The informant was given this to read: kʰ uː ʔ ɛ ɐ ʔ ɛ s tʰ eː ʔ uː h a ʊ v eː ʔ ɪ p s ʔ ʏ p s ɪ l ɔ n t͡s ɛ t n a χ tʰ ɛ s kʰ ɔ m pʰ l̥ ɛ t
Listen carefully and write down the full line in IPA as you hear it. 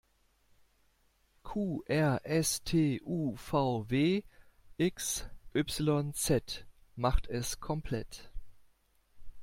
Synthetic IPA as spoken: kʰ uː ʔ ɛ ɐ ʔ ɛ s tʰ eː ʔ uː f a ʊ v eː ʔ ɪ k s ʔ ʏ p s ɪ l ɔ n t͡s ɛ t m a χ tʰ ɛ s kʰ ɔ m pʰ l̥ ɛ t